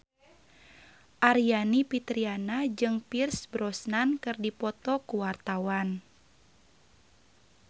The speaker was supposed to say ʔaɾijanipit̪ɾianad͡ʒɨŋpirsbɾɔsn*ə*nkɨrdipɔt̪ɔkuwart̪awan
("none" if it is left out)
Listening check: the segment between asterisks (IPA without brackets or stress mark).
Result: a